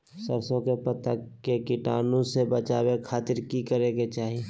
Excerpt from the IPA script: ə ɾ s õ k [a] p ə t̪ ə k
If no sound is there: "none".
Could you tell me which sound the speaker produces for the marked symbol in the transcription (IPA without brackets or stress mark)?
e